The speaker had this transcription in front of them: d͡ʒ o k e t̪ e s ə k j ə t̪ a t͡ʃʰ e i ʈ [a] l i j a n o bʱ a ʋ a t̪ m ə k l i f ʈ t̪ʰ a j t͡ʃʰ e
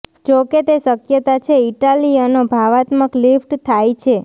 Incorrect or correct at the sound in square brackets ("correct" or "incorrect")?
correct